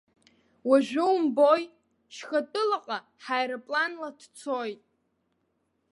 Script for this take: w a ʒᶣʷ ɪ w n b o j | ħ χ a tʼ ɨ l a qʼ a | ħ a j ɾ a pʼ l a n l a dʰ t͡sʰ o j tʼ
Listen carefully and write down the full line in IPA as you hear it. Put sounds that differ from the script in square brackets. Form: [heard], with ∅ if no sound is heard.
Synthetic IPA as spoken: w a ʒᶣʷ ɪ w [m] b o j | [ʃ] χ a tʼ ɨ l a qʼ a | ħ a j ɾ a pʼ l a n l a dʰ t͡sʰ o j tʼ

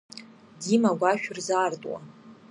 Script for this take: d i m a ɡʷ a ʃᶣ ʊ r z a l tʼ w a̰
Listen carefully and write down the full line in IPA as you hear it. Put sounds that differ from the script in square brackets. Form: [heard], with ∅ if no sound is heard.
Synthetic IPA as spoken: d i m a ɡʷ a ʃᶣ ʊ r z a [r] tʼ w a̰

